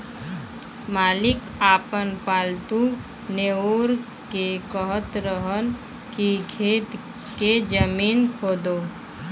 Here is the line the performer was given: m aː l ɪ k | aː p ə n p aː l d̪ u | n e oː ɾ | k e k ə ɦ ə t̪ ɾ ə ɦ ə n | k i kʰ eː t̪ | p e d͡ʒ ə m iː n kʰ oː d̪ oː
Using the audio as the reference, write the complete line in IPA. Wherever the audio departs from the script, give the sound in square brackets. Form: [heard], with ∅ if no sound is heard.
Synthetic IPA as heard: m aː l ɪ k | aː p ə n p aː l [t̪] u | n e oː ɾ | k e k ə ɦ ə t̪ ɾ ə ɦ ə n | k i kʰ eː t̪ | [k] e d͡ʒ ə m iː n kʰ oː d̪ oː